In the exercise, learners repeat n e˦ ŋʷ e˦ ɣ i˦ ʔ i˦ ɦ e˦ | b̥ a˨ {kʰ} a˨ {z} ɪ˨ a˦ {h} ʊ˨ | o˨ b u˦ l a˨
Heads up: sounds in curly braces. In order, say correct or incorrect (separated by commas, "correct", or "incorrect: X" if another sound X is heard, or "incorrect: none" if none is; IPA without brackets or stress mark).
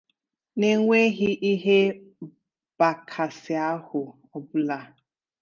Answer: correct, incorrect: s, correct